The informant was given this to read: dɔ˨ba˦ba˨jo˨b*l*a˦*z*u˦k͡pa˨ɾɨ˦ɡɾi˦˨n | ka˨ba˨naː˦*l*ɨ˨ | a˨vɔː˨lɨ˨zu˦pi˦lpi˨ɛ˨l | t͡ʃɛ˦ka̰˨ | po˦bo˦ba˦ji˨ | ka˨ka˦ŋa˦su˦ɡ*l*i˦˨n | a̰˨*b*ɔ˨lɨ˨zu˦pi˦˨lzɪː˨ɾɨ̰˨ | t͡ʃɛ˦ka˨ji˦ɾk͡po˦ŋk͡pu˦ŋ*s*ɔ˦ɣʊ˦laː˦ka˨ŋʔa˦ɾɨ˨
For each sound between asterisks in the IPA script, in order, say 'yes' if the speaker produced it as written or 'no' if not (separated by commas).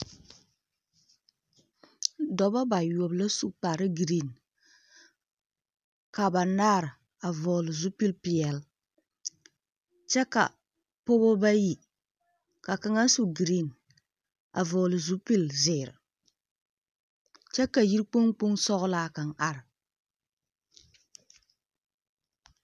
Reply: yes, no, no, no, no, yes